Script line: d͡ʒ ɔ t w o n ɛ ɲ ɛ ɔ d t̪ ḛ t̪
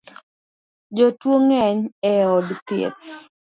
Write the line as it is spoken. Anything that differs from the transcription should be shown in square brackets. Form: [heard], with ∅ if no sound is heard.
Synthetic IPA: d͡ʒ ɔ t w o [ŋ] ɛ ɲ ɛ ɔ d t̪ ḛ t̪